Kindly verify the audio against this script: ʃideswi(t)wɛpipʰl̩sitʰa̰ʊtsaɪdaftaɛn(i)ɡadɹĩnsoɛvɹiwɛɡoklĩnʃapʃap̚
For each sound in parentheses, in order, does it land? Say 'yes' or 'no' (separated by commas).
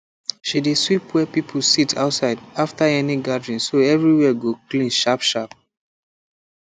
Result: no, yes